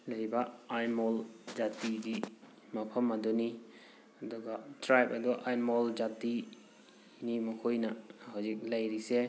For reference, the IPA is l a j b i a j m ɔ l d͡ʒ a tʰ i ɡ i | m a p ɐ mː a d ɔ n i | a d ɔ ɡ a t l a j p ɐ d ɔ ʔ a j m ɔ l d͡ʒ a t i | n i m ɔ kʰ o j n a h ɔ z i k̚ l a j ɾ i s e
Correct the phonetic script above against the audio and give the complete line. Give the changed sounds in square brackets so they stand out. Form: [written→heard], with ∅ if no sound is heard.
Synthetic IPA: l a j b [i→a] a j m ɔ l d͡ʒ a [tʰ→t] i ɡ i | m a [p→pʰ] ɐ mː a d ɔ n i | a d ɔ ɡ a t [l→ɾ] a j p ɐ d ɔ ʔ a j m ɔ l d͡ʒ a t i | n i m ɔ kʰ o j n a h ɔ z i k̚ l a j ɾ i s e